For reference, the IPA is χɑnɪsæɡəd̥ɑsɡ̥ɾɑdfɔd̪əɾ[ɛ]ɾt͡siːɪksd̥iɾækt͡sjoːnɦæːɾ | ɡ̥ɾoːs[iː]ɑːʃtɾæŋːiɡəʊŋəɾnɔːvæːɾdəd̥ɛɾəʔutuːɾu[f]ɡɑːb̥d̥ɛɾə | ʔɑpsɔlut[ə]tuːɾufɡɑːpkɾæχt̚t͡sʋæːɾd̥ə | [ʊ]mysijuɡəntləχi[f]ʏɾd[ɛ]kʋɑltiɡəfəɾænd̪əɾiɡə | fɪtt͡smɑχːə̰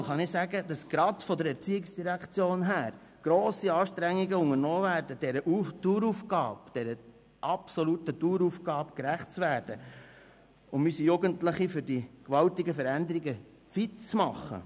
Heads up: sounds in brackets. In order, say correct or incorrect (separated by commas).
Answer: correct, incorrect, correct, correct, correct, correct, incorrect